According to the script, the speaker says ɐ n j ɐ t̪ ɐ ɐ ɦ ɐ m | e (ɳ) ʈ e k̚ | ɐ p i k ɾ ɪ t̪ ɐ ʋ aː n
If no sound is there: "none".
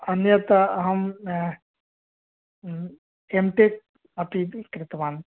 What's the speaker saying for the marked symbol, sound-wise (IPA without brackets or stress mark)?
m